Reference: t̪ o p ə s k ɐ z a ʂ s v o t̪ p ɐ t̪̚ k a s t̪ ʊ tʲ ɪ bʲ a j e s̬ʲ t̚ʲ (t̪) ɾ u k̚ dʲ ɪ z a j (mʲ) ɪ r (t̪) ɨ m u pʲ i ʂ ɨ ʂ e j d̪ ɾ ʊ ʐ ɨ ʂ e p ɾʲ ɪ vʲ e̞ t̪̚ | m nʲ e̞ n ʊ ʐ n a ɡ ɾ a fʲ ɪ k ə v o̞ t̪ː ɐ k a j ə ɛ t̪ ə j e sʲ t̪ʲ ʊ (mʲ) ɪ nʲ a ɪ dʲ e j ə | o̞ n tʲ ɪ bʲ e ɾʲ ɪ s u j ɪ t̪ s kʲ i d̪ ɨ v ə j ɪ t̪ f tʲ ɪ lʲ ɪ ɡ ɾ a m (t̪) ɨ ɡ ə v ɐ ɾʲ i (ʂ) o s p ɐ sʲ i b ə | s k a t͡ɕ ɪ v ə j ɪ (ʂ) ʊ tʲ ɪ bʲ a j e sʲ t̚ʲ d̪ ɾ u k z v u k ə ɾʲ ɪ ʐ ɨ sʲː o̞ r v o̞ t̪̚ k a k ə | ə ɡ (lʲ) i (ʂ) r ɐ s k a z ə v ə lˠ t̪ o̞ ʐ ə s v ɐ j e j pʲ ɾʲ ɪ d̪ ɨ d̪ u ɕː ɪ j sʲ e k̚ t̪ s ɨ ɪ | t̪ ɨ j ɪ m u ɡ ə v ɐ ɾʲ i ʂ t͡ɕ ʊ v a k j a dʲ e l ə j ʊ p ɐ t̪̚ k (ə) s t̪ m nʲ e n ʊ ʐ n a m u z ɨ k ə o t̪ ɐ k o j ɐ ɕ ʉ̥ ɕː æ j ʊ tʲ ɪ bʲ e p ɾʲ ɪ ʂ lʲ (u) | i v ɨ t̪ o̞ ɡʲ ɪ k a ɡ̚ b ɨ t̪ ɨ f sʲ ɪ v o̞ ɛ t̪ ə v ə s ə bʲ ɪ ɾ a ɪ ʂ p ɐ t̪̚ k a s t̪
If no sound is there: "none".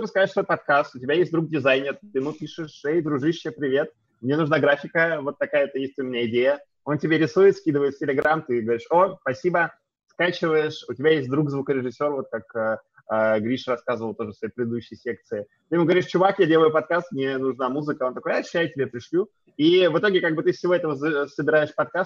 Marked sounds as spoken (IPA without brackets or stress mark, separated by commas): d̪, nʲ, t̪, mʲ, t̪, ʂ, ʂ, ɾʲ, ʂ, a, u